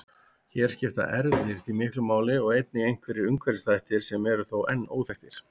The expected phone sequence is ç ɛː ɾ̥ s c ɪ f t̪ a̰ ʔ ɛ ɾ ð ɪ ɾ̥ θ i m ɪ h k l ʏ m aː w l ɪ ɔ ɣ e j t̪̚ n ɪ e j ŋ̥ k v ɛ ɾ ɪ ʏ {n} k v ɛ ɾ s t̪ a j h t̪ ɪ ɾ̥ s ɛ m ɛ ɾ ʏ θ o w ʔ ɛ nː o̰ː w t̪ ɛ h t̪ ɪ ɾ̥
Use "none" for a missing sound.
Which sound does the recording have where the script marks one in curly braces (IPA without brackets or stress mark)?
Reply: ŋ